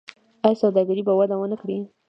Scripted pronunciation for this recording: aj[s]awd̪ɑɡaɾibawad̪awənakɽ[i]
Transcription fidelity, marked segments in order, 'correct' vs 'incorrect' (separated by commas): correct, correct